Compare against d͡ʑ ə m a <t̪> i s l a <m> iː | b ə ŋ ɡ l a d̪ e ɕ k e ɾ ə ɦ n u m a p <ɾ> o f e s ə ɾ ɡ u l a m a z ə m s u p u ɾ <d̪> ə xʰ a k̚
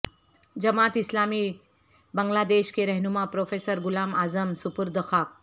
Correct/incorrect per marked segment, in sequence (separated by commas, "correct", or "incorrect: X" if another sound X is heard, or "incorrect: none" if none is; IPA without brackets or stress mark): correct, correct, correct, correct